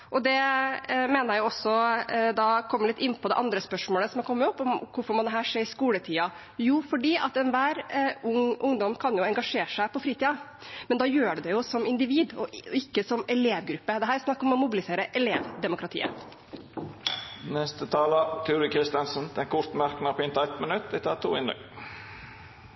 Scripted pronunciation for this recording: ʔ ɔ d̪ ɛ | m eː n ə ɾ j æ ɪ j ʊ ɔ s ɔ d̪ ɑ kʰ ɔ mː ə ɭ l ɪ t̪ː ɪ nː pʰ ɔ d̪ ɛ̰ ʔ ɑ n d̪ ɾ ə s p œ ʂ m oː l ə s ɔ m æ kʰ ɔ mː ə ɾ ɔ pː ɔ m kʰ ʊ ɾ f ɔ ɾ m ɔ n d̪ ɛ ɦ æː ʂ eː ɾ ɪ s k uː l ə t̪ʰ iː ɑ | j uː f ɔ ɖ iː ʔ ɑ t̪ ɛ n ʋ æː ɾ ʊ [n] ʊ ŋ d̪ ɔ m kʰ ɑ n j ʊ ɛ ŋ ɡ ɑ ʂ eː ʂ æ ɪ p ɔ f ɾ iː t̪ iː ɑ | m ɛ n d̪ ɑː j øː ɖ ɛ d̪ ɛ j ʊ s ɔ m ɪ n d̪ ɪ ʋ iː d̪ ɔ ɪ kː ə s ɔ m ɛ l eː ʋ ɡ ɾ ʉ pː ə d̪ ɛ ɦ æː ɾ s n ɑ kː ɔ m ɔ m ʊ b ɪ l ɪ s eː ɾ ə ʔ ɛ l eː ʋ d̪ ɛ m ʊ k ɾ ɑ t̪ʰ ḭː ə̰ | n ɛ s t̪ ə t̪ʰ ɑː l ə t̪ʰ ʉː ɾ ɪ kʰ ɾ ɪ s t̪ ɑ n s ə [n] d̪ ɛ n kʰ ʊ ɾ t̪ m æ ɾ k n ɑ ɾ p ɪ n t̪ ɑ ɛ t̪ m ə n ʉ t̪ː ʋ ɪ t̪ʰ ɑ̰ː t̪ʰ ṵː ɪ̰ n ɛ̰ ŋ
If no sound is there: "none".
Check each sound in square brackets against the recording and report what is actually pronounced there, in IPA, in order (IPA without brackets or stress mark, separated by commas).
ŋ, n